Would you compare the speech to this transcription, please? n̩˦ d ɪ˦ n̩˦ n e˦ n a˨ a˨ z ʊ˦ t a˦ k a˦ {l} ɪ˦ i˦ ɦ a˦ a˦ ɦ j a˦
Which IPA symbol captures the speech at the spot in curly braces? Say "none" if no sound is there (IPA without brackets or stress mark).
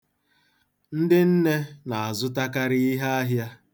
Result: ɾ